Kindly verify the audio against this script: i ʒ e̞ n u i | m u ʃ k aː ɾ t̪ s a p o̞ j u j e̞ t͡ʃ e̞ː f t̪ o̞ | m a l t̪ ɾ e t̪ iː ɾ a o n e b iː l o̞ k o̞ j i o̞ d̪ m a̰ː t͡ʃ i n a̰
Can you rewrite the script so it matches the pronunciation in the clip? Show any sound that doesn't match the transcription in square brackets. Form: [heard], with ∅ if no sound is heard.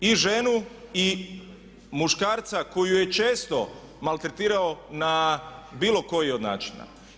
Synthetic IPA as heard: i ʒ e̞ n u i | m u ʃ k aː ɾ t̪ s a [k] o̞ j u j e̞ t͡ʃ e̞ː [s] t̪ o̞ | m a l t̪ ɾ e t̪ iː ɾ a o n [a] b iː l o̞ k o̞ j i o̞ d̪ [n] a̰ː t͡ʃ i n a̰